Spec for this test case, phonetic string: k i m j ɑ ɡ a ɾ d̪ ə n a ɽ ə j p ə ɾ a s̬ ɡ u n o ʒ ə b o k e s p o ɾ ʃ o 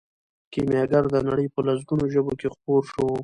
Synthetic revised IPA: k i m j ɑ ɡ a ɾ d̪ ə n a ɽ ə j p ə l a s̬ ɡ u n o ʒ ə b o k e x p o ɾ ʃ o